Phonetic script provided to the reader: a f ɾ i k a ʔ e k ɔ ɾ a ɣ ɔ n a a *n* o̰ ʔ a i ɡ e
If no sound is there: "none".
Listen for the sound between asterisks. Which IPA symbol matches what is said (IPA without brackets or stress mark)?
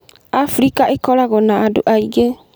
d